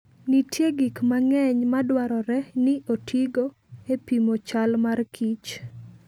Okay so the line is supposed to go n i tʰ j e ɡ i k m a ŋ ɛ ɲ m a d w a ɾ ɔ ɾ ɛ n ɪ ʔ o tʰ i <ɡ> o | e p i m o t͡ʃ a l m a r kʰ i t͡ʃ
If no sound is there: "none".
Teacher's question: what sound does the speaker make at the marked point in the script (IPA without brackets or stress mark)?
ɡ